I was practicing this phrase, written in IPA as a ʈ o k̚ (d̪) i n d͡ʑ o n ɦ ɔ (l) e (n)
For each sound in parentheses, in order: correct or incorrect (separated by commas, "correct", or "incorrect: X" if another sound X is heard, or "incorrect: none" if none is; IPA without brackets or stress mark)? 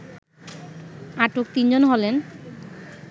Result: incorrect: t̪, correct, correct